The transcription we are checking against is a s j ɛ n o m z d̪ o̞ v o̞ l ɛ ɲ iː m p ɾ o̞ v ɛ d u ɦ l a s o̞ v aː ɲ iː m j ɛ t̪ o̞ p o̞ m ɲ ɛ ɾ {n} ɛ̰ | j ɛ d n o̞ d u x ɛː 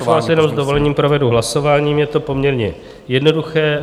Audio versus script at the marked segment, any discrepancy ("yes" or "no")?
yes